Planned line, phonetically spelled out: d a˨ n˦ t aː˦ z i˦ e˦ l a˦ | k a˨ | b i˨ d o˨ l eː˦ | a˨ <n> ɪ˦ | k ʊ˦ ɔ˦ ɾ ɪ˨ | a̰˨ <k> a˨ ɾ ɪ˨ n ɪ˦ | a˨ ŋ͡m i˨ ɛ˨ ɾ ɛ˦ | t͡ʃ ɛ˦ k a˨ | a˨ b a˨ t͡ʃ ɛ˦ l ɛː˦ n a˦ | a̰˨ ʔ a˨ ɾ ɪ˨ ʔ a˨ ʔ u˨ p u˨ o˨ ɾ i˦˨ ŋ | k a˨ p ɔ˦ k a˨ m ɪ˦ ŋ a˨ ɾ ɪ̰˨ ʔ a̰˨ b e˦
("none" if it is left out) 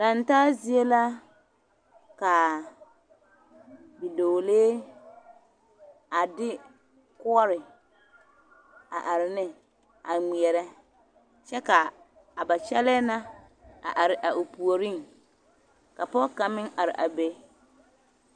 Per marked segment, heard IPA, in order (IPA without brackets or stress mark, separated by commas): d, ʔ